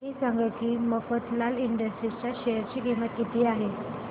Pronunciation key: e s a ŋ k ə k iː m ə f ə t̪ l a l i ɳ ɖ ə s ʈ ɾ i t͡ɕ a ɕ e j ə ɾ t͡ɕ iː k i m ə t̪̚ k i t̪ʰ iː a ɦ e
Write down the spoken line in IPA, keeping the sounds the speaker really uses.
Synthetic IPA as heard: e s a ŋ ɡ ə k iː m ə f ə t̪ l a l i ɳ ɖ ə s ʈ ɾ i t͡ɕ a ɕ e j ə ɾ t͡ɕ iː k i m ə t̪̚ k i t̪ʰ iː a ɦ e